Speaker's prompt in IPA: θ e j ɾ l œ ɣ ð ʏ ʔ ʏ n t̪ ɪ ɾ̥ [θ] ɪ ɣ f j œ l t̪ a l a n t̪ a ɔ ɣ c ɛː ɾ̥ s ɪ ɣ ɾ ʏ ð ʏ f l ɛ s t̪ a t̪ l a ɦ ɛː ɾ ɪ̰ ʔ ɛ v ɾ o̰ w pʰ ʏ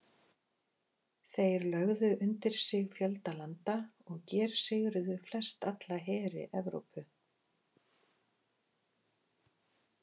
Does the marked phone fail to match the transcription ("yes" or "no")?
yes